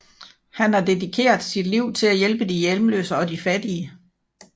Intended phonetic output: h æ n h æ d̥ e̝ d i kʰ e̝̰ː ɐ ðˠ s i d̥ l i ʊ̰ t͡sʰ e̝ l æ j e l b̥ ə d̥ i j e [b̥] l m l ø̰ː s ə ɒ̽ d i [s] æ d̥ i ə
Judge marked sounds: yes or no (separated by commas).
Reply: no, no